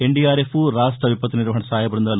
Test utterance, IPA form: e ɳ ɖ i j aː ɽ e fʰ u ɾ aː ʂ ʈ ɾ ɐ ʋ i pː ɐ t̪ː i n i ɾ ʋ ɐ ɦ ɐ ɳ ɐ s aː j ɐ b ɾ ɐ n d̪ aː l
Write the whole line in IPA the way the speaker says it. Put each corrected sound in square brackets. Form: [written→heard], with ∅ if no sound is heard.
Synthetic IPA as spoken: e ɳ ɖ i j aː [ɽ→ɾ] e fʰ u ɾ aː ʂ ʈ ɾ ɐ ʋ i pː ɐ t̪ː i n i ɾ ʋ ɐ ɦ ɐ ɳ ɐ s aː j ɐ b ɾ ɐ n d̪ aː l